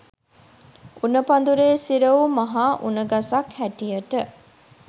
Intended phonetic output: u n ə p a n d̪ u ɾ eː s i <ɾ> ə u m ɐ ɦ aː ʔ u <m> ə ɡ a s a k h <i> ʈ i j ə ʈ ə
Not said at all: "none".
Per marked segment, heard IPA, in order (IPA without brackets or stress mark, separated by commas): ɾ, n, æ